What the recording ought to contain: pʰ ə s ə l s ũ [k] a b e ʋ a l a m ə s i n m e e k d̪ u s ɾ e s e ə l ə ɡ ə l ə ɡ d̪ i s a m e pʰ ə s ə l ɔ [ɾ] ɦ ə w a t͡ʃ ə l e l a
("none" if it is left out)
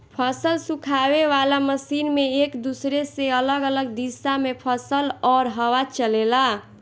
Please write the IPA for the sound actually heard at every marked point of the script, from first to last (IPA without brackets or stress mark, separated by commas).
kʰ, ɾ